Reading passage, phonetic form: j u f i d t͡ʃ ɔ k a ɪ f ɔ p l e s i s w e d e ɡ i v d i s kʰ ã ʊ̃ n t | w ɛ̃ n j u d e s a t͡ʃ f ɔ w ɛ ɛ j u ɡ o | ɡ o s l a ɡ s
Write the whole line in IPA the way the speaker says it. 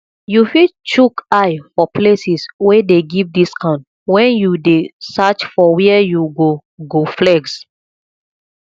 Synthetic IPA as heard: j u f i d t͡ʃ u k a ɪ f ɔ p l e s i s w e d e ɡ i v d i s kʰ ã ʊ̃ n t | w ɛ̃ n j u d e s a t͡ʃ f ɔ w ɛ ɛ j u ɡ o | ɡ o f l ɛ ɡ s